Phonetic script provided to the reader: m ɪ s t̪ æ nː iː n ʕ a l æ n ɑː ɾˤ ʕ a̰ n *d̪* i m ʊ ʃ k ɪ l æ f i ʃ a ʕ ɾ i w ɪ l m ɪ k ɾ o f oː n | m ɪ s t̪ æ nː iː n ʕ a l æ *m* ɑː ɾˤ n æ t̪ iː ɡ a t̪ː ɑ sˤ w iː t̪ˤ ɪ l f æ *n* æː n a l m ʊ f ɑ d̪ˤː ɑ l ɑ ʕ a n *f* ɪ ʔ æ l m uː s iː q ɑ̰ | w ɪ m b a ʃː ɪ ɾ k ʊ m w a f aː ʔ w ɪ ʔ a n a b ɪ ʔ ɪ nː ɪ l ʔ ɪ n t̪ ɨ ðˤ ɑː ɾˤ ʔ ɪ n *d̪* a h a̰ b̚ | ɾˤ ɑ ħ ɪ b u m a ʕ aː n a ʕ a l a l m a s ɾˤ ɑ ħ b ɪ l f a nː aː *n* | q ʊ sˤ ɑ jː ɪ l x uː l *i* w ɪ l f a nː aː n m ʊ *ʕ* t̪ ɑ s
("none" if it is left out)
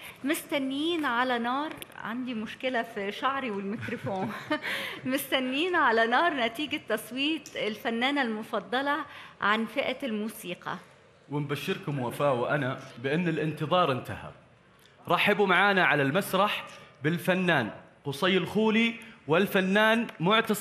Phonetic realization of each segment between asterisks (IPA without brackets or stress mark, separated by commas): d̪, n, nː, f, t̪, n, i, ʕ